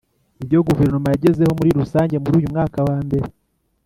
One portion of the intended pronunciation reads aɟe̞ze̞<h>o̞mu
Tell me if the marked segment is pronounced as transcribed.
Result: yes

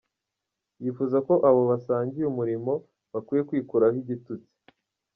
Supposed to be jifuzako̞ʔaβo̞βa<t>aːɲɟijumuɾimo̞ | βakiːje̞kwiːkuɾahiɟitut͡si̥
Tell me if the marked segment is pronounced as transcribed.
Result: no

